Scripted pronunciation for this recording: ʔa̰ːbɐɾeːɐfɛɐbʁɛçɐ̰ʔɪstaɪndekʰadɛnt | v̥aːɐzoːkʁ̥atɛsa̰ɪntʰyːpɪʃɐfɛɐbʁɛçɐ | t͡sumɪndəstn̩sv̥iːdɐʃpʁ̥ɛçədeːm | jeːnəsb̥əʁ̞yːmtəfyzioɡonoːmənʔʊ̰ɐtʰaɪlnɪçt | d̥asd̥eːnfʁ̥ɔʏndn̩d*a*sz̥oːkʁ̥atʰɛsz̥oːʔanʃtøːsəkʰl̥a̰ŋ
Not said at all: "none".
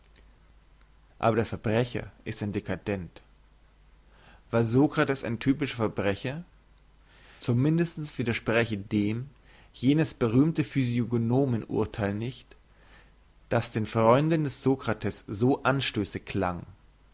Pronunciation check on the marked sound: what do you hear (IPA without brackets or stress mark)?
ɛ